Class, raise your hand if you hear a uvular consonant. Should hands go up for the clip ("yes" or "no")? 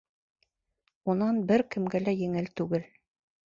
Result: no